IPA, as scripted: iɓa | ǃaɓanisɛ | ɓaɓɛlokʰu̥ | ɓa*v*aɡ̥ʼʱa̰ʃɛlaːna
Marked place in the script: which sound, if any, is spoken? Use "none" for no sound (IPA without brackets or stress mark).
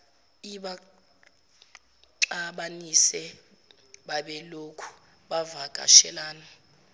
v